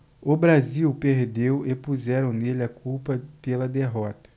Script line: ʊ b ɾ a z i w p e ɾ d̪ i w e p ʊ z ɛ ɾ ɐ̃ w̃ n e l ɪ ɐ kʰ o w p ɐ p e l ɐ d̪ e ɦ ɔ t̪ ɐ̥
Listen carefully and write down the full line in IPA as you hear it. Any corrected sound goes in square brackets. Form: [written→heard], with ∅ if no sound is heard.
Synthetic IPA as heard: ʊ b ɾ a z i w p e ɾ d̪ [i→e] w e p [ʊ→u] z ɛ ɾ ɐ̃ w̃ n e l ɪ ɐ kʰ [o→u] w p ɐ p e l ɐ d̪ e ɦ ɔ t̪ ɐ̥